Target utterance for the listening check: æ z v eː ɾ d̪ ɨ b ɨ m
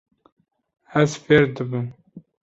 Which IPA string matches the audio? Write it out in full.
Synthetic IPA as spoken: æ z f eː ɾ d̪ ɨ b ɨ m